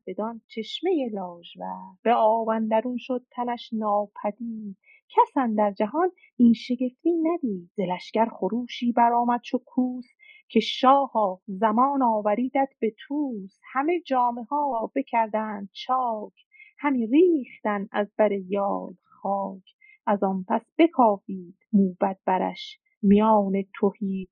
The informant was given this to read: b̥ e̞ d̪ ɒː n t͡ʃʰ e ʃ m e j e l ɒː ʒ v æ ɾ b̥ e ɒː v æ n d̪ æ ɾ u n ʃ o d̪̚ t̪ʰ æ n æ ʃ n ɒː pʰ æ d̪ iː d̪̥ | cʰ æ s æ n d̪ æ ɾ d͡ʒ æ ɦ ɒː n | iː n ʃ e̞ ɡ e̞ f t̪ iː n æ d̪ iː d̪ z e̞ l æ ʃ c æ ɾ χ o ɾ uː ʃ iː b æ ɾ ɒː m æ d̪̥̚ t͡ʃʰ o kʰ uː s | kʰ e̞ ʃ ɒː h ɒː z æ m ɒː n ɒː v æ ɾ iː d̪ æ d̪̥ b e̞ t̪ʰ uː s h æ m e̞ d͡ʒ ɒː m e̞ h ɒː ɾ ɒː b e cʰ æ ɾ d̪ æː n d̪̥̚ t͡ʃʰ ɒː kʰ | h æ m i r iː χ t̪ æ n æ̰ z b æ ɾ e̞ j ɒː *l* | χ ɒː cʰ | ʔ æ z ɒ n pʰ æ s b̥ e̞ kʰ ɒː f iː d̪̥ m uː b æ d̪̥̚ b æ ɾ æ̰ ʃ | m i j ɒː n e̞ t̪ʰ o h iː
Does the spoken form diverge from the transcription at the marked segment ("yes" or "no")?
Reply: no